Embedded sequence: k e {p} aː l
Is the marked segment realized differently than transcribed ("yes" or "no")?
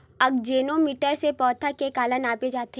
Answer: yes